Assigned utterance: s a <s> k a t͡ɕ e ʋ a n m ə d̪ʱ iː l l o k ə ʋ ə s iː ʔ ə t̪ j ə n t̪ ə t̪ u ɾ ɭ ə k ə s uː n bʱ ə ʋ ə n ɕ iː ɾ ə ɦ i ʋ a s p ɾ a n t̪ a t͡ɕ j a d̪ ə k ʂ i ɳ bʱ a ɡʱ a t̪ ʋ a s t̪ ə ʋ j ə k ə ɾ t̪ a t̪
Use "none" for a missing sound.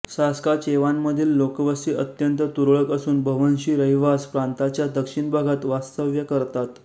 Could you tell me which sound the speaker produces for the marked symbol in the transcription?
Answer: s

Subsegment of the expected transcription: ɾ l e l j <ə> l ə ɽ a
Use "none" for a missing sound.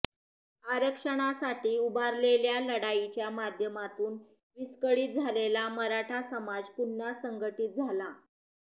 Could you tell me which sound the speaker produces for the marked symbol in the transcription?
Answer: a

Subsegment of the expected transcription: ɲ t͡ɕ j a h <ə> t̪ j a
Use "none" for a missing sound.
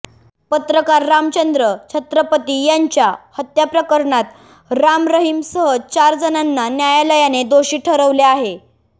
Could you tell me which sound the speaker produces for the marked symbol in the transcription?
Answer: ə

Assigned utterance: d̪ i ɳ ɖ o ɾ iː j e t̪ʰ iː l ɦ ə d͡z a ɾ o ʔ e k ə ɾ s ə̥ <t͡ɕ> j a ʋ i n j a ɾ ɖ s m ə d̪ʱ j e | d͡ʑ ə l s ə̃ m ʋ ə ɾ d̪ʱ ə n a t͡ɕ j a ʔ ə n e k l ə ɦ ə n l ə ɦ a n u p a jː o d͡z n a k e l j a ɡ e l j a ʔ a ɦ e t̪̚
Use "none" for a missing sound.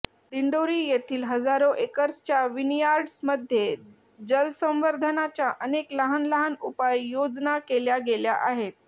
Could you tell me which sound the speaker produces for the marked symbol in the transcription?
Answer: t͡ɕ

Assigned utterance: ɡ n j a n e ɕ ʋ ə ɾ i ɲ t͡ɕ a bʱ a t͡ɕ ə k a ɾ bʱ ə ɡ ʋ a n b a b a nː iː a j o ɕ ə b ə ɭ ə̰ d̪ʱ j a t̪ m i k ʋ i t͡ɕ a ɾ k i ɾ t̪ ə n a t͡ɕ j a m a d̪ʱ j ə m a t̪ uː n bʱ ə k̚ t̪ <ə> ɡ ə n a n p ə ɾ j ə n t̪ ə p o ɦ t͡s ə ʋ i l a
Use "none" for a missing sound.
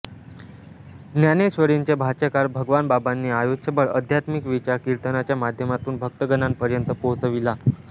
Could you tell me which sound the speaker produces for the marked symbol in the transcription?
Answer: ə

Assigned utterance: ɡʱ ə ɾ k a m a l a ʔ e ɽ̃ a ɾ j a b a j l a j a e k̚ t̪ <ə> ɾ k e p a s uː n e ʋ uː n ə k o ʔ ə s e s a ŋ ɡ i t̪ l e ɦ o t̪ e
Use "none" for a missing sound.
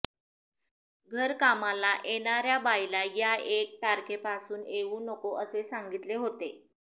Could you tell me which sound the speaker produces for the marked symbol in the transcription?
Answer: a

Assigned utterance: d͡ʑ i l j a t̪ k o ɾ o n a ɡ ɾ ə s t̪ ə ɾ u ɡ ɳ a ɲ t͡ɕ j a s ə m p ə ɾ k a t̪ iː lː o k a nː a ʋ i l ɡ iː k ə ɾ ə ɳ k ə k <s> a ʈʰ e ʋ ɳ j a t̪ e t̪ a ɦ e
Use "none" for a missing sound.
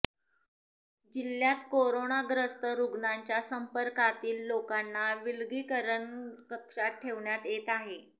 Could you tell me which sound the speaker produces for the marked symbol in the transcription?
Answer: ʂ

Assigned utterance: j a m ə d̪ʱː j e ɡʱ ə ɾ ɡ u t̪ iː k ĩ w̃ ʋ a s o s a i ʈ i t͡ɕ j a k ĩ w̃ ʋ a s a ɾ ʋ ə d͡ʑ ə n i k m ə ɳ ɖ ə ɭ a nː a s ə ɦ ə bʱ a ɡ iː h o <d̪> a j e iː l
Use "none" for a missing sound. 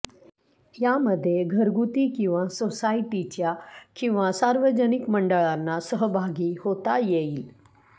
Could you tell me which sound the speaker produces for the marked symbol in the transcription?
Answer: t̪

